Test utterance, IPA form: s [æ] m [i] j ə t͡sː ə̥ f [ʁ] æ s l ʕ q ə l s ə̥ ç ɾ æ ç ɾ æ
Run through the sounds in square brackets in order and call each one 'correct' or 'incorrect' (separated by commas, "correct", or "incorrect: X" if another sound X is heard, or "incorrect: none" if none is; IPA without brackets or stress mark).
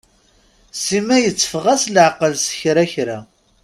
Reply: incorrect: i, incorrect: æ, correct